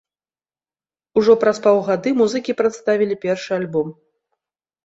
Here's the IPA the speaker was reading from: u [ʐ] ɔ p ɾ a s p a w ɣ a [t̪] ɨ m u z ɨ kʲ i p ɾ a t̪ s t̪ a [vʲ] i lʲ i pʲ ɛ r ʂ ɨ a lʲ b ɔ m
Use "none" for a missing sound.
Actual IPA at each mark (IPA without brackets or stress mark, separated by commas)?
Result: ʐ, d̪, vʲ